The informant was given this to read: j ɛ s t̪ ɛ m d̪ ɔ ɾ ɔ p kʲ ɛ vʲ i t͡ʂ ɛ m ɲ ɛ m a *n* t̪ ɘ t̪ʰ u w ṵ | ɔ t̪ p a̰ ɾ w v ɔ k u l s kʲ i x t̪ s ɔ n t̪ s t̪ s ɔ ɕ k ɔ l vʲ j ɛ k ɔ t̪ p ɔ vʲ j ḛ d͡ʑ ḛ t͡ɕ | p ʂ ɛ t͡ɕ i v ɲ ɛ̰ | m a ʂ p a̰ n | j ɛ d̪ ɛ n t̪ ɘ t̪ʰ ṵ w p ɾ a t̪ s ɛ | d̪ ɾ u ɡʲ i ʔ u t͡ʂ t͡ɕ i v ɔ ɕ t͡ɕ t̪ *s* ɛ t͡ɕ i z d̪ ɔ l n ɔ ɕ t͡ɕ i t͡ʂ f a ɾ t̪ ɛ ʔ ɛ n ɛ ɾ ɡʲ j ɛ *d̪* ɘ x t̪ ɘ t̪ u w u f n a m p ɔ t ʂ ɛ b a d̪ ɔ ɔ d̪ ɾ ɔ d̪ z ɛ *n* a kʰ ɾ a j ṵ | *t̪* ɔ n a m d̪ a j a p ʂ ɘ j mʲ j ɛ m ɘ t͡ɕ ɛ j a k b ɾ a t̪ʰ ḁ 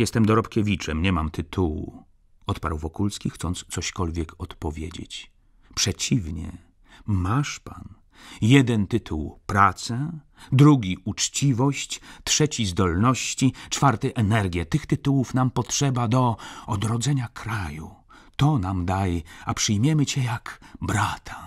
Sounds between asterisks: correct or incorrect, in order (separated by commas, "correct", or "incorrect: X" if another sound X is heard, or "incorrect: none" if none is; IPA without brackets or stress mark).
incorrect: m, incorrect: ʂ, incorrect: t̪, incorrect: ɲ, correct